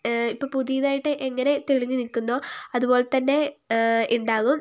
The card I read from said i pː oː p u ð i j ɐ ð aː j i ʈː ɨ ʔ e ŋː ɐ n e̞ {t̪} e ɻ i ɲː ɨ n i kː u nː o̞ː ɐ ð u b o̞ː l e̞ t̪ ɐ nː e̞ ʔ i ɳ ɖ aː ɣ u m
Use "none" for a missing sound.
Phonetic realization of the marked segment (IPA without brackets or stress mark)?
t̪